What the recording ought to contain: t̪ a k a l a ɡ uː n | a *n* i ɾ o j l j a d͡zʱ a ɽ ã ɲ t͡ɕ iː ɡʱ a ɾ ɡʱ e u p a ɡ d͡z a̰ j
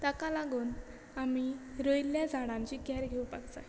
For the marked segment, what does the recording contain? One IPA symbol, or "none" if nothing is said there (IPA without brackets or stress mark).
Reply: m